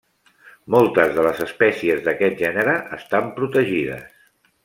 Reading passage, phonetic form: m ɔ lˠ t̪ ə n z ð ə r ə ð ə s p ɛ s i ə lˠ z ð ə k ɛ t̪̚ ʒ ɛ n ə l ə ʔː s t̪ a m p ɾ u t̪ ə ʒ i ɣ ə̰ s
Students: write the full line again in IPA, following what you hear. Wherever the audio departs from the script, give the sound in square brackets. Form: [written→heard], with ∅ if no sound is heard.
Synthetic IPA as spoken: m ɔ lˠ t̪ ə [n→∅] z ð ə [r→l] ə [ð→z] ə s p ɛ s i ə [lˠ→∅] z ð ə k ɛ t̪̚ ʒ ɛ n ə [l→ɾ] ə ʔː s t̪ a m p ɾ u t̪ ə ʒ i [ɣ→ð] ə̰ s